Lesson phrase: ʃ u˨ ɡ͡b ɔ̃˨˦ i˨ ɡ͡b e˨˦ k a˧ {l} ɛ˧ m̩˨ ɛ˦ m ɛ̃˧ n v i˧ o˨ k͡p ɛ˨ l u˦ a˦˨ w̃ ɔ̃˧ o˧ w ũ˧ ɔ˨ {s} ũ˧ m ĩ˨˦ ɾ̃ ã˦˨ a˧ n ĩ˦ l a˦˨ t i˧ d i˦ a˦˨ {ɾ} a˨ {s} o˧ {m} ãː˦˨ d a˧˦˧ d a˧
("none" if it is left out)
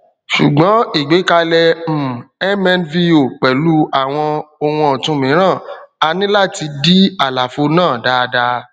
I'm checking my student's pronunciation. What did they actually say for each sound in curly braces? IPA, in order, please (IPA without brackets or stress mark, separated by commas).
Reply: l, t, l, f, n